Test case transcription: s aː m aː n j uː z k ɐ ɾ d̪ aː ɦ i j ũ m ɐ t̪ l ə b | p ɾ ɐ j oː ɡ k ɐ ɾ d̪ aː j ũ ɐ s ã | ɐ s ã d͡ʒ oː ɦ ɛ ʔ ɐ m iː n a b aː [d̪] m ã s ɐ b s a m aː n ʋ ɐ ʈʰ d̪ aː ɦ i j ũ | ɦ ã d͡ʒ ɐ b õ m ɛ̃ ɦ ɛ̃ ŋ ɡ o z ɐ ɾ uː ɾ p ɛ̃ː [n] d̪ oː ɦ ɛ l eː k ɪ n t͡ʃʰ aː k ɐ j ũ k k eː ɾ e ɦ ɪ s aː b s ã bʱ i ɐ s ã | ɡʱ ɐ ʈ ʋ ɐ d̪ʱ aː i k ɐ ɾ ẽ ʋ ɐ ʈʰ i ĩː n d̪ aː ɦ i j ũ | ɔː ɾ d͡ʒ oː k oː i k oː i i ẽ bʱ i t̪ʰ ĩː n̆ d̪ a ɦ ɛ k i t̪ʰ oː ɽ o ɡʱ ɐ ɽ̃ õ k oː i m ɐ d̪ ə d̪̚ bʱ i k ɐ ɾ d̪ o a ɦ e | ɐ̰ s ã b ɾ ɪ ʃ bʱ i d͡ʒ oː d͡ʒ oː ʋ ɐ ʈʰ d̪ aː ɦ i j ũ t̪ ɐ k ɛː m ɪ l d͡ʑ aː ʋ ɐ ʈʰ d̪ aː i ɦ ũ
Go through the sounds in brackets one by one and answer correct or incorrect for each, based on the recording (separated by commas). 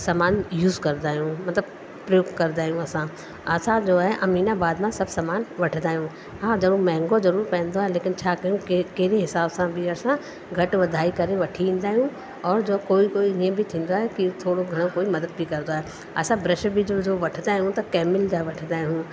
correct, correct